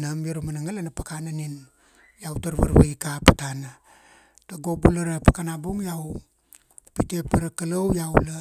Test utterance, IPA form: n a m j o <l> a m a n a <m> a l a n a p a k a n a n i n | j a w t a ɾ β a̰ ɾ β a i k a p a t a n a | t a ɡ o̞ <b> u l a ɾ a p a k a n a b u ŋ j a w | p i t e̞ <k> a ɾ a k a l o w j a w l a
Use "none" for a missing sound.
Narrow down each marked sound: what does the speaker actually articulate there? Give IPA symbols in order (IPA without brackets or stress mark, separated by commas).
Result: ɾ, ŋ, b, p